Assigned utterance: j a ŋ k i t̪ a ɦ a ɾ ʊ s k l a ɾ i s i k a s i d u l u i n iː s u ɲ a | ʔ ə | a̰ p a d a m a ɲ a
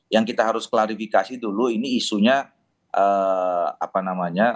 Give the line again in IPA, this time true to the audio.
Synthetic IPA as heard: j a ŋ k i t̪ a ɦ a ɾ ʊ s k l a ɾ i f i k a s i d u l u i n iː s u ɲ a | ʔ ə | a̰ p a n a m a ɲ a